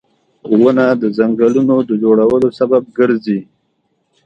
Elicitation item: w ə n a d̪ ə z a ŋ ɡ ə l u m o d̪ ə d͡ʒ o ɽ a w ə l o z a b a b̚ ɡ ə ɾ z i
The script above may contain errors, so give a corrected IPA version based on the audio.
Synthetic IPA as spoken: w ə n a d̪ ə z a ŋ ɡ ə l u n o d̪ ə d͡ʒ o ɽ a w ə l o s a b a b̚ ɡ ə ɾ z i